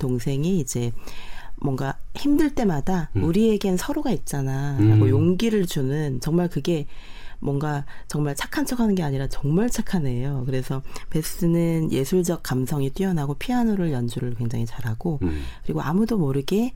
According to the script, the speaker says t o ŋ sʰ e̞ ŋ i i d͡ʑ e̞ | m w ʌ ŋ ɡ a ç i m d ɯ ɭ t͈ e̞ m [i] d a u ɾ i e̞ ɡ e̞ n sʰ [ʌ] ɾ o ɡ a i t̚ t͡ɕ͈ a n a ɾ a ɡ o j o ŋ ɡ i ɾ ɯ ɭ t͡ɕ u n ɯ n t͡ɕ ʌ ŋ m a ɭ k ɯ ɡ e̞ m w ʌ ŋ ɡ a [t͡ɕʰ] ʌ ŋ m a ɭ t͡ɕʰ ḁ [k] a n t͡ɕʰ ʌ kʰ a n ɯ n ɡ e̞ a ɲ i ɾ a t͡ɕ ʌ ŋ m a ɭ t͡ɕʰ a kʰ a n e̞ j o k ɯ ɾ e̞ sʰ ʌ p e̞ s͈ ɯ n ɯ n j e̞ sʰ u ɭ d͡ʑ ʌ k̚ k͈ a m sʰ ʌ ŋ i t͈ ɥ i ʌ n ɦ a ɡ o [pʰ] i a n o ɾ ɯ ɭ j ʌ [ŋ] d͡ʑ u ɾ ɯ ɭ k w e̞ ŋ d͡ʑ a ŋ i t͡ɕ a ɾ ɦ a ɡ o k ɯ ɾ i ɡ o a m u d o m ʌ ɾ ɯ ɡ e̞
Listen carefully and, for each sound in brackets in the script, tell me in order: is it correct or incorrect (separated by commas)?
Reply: incorrect, correct, incorrect, incorrect, correct, incorrect